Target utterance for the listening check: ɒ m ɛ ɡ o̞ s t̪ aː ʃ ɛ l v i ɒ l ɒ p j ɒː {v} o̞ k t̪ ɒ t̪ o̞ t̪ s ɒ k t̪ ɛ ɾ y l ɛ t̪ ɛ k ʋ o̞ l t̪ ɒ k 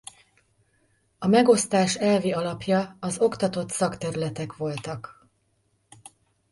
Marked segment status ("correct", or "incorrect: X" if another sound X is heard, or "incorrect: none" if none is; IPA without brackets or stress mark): incorrect: z